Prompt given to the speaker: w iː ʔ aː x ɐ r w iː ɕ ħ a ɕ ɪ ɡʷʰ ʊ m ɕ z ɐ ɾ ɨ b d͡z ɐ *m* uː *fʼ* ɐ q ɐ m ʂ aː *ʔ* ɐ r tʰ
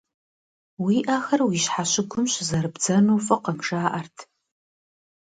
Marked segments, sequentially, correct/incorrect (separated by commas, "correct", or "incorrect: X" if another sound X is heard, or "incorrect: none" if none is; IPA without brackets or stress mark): incorrect: n, correct, correct